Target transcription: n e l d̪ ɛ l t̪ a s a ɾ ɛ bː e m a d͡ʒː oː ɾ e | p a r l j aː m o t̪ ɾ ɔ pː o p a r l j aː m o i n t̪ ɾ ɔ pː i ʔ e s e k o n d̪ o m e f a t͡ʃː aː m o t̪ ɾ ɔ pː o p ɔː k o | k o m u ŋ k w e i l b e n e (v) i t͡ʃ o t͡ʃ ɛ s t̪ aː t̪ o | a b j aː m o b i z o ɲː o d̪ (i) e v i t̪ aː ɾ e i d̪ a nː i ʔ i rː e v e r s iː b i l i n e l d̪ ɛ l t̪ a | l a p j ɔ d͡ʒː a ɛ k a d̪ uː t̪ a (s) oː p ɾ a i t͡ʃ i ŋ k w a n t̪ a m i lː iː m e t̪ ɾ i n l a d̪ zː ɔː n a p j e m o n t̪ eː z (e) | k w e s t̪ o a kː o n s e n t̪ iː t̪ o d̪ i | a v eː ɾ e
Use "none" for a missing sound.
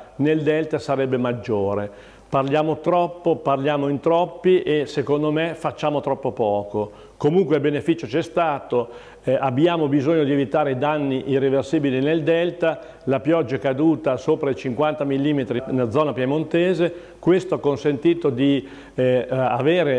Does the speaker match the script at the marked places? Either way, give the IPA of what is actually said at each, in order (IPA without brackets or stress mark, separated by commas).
f, i, s, e